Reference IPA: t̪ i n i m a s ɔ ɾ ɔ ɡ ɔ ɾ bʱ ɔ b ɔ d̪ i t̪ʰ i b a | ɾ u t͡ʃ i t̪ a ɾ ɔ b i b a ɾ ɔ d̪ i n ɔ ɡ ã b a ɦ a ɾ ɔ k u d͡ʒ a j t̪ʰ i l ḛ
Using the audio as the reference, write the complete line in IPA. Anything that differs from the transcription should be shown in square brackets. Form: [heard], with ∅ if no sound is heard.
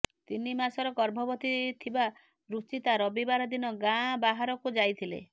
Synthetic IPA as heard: t̪ i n i m a s ɔ ɾ ɔ ɡ ɔ ɾ bʱ ɔ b ɔ [t̪] i t̪ʰ i b a | ɾ u t͡ʃ i t̪ a ɾ ɔ b i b a ɾ ɔ d̪ i n ɔ ɡ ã b a ɦ a ɾ ɔ k u d͡ʒ a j t̪ʰ i l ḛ